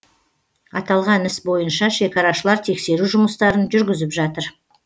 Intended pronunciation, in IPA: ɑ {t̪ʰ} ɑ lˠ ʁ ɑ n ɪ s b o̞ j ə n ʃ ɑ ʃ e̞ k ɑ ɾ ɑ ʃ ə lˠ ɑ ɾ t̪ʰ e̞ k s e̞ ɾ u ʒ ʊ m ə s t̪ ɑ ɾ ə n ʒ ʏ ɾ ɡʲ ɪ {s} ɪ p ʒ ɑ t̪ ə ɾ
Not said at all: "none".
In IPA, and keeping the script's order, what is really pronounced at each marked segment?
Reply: t̪, z

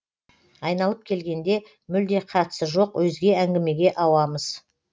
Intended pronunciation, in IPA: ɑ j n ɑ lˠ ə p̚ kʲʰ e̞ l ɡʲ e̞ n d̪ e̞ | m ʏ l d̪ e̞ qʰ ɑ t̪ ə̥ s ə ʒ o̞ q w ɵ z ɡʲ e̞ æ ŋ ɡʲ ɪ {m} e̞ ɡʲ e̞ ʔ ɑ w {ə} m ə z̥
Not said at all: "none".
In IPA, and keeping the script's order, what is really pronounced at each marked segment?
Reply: m, ɑ

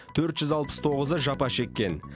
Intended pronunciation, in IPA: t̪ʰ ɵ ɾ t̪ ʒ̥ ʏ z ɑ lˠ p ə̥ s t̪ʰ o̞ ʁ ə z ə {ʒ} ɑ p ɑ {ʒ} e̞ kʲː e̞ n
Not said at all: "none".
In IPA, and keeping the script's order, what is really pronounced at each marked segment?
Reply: ʒ, ʃ

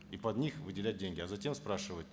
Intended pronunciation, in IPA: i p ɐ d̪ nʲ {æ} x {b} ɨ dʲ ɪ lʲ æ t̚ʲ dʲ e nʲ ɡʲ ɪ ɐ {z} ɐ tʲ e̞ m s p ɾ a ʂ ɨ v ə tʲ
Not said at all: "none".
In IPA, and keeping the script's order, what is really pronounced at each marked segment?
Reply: i, v, z

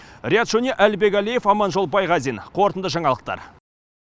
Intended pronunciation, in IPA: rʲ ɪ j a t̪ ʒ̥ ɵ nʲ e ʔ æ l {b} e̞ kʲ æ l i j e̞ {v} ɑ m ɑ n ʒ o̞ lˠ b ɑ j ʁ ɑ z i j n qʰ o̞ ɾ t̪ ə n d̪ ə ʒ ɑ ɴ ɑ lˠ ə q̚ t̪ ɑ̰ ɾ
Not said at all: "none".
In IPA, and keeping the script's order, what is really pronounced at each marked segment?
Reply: b, f

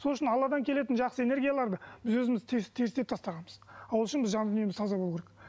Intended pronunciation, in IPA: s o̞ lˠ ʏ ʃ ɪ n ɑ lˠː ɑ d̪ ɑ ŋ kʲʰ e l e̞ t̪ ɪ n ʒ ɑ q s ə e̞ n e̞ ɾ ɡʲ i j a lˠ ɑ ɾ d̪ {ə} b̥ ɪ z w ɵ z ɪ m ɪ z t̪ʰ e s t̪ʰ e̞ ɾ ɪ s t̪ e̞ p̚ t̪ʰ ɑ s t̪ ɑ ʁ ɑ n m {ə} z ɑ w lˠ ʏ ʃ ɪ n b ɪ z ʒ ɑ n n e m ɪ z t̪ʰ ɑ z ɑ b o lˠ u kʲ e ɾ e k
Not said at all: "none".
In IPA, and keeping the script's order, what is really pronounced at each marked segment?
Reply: ə, ə

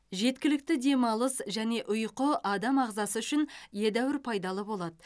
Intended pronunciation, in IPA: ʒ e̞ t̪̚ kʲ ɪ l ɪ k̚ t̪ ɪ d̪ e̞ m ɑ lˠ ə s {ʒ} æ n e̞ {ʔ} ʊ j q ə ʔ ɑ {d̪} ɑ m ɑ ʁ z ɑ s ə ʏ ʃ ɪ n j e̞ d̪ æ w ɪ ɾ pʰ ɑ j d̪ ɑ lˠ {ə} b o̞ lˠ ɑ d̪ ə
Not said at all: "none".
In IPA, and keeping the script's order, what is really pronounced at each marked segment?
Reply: ʒ, ʔ, d̪, ə

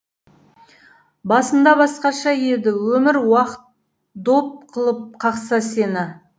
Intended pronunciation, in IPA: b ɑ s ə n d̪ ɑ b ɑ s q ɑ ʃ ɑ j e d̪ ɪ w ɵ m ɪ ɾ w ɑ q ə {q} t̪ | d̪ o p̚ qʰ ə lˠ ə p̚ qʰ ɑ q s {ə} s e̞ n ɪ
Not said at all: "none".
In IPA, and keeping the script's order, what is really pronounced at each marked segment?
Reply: none, ɑ

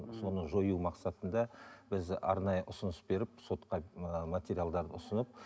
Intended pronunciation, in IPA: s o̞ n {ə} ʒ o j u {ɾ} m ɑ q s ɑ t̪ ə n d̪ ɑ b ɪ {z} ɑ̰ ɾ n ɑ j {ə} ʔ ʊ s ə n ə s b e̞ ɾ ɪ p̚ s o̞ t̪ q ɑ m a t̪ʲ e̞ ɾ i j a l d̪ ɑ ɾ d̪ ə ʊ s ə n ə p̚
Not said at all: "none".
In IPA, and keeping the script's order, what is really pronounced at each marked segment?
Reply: ə, none, z, ə

